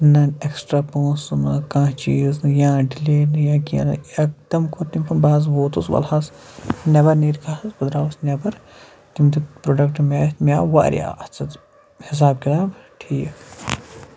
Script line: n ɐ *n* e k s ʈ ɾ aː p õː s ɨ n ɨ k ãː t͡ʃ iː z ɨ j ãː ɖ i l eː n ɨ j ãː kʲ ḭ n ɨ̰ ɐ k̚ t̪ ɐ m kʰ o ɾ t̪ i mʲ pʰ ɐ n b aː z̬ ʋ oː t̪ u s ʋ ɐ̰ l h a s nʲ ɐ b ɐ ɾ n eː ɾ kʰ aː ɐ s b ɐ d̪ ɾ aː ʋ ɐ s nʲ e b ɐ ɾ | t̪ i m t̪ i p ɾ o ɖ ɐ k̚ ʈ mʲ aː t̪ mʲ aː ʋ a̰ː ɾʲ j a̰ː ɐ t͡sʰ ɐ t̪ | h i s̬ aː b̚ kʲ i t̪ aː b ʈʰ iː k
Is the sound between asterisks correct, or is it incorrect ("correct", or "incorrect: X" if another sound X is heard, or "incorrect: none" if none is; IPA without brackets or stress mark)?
correct